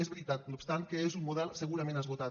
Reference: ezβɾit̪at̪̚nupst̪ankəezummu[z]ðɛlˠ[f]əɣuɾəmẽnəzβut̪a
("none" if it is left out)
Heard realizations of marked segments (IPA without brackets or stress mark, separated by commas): none, s